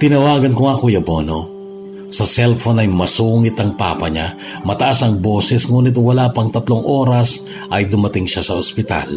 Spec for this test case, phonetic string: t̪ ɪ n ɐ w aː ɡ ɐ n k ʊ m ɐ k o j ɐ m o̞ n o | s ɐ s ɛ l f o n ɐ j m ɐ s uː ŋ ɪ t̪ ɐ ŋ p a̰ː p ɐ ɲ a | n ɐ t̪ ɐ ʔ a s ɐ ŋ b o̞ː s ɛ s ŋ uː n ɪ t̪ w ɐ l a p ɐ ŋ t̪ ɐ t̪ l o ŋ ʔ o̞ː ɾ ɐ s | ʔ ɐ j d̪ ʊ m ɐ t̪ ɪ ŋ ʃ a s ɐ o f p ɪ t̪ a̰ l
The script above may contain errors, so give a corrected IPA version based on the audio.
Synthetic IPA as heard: t̪ ɪ n ɐ w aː ɡ ɐ n k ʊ ŋ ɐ k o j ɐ b o̞ n o | s ɐ s ɛ l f o n ɐ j m ɐ s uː ŋ ɪ t̪ ɐ ŋ p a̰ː p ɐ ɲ a | m ɐ t̪ ɐ ʔ a s ɐ ŋ b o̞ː s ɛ s ŋ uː n ɪ t̪ w ɐ l a p ɐ ŋ t̪ ɐ t̪ l o ŋ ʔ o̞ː ɾ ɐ s | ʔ ɐ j d̪ ʊ m ɐ t̪ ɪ ŋ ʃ a s ɐ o s p ɪ t̪ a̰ l